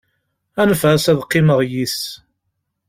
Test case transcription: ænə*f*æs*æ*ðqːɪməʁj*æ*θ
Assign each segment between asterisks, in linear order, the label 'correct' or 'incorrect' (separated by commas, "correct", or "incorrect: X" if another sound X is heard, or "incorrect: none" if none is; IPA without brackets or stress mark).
correct, correct, incorrect: i